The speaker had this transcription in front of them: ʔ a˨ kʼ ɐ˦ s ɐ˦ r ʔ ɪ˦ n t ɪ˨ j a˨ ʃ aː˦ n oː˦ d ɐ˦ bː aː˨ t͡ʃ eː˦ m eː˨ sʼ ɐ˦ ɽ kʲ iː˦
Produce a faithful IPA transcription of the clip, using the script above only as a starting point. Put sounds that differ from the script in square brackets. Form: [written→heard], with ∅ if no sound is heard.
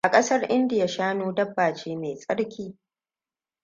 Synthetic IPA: ʔ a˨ kʼ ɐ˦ s ɐ˦ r ʔ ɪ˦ n [t→d] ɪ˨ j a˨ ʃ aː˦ n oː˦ d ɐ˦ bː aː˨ t͡ʃ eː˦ m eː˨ sʼ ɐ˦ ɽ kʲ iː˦